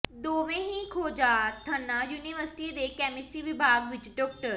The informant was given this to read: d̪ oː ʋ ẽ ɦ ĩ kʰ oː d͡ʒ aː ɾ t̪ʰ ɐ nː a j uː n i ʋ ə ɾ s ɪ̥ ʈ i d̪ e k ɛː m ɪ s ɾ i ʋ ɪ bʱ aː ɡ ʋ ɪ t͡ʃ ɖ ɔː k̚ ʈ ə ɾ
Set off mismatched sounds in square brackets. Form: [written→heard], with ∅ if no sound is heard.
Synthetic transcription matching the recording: d̪ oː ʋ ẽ ɦ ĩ kʰ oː d͡ʒ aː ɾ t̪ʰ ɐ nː a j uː n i ʋ ə ɾ s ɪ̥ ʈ i d̪ e k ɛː m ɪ s ɾ i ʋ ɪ bʱ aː ɡ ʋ ɪ t͡ʃ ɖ ɔː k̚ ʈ ə ɾ